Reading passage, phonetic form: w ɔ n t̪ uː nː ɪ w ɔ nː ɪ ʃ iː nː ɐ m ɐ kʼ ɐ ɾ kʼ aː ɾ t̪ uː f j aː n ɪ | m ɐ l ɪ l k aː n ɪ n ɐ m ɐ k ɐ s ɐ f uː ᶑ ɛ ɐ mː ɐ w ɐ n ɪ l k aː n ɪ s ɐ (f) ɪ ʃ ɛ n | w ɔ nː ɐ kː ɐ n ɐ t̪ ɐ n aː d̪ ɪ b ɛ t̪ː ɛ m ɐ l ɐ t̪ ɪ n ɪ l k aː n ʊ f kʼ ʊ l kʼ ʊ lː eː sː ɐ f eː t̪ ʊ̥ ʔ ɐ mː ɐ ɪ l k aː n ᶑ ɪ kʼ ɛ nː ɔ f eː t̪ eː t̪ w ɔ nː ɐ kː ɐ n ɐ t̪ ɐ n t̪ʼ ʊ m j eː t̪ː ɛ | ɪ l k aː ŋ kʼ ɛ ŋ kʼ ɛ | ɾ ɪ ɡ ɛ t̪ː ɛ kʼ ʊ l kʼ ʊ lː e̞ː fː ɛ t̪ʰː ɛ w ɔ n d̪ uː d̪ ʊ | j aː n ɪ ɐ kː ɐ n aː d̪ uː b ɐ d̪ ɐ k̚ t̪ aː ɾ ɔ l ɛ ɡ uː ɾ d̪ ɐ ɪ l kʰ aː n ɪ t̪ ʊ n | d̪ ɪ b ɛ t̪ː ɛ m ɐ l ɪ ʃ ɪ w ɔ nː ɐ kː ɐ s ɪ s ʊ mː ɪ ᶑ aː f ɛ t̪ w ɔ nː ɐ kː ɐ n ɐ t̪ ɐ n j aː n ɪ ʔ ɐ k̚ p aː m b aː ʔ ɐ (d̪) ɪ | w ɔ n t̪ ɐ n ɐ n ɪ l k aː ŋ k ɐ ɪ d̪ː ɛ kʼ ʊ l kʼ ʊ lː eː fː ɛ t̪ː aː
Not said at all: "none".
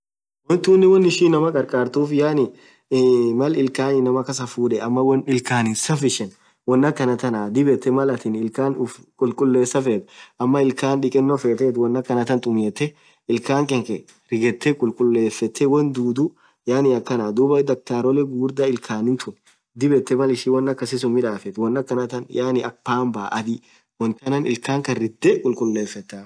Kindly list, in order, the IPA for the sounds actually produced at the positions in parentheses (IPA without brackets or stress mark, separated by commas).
f, d̪